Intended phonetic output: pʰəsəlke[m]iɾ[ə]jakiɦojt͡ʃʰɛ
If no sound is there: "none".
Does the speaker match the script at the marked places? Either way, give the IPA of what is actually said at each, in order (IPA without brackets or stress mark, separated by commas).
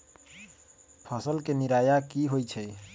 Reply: n, a